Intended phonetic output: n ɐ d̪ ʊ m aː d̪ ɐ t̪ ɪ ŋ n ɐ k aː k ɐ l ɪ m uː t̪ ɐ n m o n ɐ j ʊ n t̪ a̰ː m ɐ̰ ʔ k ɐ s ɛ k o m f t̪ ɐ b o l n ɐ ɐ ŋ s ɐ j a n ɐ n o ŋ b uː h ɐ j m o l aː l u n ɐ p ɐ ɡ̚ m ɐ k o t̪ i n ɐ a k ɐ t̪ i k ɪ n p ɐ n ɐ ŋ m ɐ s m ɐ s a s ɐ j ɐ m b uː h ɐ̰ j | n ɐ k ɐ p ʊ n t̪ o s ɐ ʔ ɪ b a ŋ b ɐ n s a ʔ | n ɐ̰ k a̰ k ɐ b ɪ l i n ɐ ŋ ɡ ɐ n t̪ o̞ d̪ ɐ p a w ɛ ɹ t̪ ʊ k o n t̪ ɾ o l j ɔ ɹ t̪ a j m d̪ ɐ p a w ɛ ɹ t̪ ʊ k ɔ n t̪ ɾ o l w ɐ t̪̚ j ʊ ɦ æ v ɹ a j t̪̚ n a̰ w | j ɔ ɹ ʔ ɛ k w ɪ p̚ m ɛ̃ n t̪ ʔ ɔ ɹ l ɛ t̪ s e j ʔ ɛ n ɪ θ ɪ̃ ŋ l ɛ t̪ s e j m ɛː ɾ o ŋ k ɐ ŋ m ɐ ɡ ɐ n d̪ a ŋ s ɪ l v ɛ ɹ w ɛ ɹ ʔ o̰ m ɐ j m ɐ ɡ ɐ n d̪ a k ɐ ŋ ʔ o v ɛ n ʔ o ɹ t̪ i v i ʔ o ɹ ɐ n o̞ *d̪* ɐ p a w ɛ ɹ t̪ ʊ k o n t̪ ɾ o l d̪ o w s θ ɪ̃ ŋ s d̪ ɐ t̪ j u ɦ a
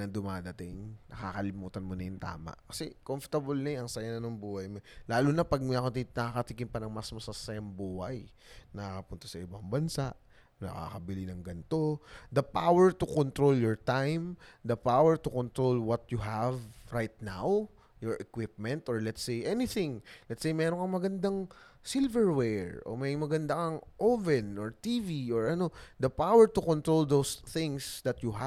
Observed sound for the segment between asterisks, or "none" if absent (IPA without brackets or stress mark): d̪